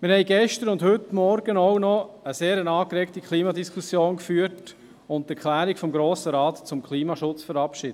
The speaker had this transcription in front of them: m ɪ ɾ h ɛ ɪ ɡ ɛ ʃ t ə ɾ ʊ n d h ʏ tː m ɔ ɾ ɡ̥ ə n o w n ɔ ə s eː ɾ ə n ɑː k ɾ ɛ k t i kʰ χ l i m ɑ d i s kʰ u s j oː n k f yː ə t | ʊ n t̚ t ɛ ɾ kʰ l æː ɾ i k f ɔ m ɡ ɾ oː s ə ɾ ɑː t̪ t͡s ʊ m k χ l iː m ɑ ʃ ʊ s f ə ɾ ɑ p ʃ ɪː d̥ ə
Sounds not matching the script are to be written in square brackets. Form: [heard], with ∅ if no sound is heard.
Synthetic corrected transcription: m ɪ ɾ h ɛ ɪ ɡ ɛ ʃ t ə ɾ ʊ n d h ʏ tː m ɔ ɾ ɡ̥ ə n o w n ɔ ə s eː ɾ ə n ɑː k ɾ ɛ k t i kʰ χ l [iː] m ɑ d i s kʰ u s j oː n k f yː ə t | ʊ n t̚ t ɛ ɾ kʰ l æː ɾ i k f ɔ m ɡ ɾ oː s ə ɾ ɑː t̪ t͡s ʊ m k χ l iː m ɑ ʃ ʊ [t͡s] f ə ɾ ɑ p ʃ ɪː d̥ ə

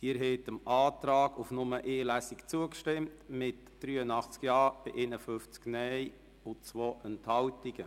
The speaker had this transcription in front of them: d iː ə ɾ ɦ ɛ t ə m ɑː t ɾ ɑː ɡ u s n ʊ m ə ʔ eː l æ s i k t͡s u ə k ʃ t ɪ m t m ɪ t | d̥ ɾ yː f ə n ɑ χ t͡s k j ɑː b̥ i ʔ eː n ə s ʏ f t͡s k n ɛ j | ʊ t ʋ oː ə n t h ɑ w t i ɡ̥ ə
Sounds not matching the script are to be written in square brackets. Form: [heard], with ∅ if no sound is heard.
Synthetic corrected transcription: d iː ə ɾ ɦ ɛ t ə m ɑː t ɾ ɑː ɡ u [f] n ʊ m ə ʔ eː l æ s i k t͡s u ə k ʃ t ɪ m t m ɪ t | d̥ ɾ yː [∅] ə n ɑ χ t͡s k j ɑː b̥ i ʔ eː n ə [f] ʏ f t͡s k n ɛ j | ʊ [t͡s] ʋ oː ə n t h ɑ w t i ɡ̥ ə

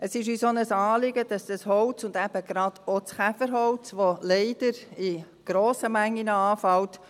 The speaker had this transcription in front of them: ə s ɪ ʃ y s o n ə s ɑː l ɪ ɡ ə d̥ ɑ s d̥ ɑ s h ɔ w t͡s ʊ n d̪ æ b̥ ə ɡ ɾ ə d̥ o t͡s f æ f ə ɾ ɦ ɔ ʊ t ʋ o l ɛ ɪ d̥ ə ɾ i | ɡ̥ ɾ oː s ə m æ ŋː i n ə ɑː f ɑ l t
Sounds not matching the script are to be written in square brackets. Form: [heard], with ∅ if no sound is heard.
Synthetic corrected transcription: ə s ɪ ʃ y s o n ə s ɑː l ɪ ɡ ə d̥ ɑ s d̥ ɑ s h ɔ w t͡s ʊ n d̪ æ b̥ ə ɡ ɾ [ɑ] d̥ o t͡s [χ] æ f ə ɾ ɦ ɔ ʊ [t͡s] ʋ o l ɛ ɪ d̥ ə ɾ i | ɡ̥ ɾ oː s ə m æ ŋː i n ə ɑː f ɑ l t

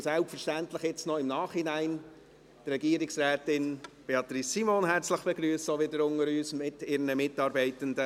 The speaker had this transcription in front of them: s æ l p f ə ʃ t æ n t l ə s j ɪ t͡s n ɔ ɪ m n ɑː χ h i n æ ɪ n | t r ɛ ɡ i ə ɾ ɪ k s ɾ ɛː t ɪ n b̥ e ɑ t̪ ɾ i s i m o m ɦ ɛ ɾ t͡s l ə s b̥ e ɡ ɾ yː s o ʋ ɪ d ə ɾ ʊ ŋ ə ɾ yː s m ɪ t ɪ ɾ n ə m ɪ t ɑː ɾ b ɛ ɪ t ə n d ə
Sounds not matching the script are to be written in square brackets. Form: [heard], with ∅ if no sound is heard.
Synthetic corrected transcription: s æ l p f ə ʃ t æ n t l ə [χ] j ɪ t͡s n ɔ ɪ m n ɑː χ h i n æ ɪ n | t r ɛ ɡ i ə ɾ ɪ k s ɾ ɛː t ɪ n b̥ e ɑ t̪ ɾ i s i m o [n] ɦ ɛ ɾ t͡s l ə [χ] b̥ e ɡ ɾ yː s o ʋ ɪ d ə ɾ ʊ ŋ ə ɾ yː s m ɪ t ɪ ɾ n ə m ɪ t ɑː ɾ b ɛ ɪ t ə n d ə

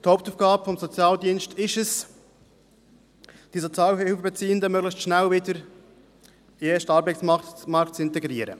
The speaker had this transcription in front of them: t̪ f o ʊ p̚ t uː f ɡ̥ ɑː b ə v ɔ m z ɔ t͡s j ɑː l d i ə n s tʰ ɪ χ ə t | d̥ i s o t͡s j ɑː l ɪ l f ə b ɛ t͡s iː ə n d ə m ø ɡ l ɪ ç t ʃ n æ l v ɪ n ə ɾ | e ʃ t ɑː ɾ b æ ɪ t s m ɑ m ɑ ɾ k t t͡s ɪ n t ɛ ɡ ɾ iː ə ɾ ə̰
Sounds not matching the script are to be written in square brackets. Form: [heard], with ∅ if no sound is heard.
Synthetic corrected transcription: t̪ [h] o ʊ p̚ t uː f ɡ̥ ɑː b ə [f] ɔ m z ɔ t͡s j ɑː l d i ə n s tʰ ɪ [ʃ] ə [s] | d̥ i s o t͡s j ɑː l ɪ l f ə b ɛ t͡s iː ə n d ə m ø ɡ l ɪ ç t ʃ n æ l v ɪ [d] ə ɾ | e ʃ t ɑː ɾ b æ ɪ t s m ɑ m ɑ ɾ k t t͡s ɪ n t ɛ ɡ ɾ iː ə ɾ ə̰

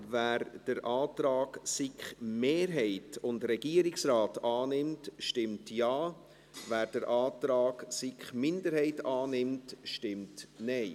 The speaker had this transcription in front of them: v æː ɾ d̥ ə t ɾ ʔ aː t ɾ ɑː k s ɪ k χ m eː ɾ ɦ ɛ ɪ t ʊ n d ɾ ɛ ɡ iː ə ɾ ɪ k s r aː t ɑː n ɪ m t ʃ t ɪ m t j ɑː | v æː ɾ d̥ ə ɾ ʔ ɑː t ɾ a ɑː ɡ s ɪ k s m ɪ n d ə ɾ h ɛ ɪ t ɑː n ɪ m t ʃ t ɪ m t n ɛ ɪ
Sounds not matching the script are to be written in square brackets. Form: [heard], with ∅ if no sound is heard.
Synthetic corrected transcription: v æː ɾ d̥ ə [∅] ɾ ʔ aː t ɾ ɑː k s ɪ k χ m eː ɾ ɦ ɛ ɪ t ʊ n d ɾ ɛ ɡ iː ə ɾ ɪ k s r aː t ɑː n ɪ m t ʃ t ɪ m t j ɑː | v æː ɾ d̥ ə ɾ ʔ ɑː t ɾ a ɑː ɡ s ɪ k [χ] m ɪ n d ə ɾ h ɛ ɪ t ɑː n ɪ m t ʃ t ɪ m t n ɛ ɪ

